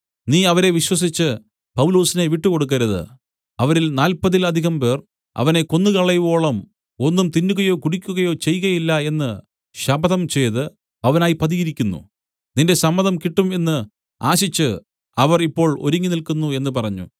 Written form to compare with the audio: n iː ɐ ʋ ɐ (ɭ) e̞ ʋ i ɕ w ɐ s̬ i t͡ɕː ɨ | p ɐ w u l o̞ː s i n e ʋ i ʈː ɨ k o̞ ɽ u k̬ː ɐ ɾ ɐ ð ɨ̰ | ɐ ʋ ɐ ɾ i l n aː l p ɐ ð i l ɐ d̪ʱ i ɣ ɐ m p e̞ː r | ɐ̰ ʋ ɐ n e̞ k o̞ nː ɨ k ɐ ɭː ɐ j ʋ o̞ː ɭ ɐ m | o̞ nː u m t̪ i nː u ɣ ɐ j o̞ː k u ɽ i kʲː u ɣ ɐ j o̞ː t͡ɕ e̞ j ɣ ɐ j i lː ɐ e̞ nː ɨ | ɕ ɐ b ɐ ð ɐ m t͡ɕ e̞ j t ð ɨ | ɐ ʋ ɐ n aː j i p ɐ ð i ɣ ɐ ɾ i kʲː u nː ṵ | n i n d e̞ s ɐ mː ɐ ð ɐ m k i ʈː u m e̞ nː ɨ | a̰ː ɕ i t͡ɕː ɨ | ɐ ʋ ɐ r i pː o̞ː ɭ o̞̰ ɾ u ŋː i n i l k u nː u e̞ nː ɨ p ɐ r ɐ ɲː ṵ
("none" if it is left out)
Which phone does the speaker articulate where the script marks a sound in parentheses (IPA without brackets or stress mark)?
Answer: ɾ